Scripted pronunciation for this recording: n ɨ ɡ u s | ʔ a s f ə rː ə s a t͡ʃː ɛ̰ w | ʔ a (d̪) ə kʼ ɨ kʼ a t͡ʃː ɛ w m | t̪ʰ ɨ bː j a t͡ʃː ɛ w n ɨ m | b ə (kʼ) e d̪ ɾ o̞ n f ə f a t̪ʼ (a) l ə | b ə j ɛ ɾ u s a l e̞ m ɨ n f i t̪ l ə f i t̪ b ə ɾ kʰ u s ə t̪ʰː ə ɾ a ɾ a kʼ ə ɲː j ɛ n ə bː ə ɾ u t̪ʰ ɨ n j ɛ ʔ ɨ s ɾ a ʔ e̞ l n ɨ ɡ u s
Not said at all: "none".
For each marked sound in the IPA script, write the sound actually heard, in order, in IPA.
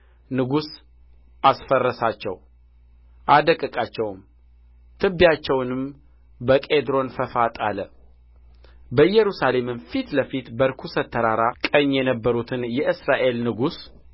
d̪, kʼ, a

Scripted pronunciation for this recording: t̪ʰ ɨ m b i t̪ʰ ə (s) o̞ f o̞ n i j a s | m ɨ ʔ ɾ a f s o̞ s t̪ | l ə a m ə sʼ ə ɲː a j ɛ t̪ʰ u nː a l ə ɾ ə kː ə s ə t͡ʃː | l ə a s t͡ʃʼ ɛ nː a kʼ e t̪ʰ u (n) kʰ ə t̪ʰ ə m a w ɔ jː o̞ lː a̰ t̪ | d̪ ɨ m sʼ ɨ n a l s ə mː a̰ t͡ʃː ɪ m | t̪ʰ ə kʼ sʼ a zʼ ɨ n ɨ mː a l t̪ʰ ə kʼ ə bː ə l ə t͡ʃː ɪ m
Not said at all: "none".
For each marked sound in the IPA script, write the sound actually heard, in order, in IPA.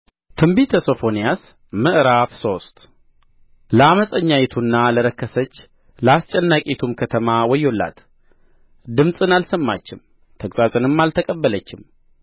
s, m

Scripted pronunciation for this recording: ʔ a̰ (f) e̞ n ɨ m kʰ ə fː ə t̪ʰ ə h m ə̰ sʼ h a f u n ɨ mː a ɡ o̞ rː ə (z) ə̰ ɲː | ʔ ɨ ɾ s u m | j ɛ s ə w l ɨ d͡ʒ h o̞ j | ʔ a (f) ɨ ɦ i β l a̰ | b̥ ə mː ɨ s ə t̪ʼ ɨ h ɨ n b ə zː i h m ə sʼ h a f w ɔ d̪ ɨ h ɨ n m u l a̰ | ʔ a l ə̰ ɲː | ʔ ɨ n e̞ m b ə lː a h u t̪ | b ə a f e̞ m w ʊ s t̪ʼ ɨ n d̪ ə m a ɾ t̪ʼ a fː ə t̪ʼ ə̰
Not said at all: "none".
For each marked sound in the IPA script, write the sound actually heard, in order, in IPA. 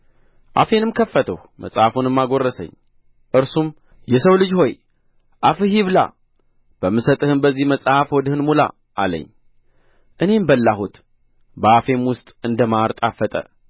f, s, f

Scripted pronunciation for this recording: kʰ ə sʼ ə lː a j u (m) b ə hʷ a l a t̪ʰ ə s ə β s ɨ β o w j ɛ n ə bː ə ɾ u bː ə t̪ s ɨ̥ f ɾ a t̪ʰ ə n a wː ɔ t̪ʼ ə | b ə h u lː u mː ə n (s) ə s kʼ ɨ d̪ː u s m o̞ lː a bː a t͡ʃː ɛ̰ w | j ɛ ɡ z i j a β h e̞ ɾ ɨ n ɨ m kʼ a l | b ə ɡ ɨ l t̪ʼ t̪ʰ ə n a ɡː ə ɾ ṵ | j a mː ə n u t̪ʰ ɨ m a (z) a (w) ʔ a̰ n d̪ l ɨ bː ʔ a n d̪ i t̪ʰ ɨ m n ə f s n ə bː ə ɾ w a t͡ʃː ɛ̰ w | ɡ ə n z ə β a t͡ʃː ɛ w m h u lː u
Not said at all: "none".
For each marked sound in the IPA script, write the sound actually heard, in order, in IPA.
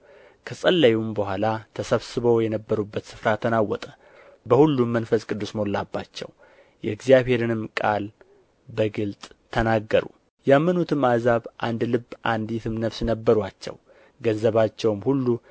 m, f, z, β

